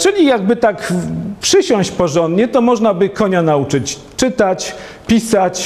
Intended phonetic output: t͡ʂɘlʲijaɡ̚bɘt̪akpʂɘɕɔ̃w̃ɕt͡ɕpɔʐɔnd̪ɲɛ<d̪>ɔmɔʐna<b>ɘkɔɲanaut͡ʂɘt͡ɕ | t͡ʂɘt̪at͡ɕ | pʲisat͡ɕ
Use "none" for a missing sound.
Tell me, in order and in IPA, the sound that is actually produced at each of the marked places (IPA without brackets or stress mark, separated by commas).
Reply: t̪, b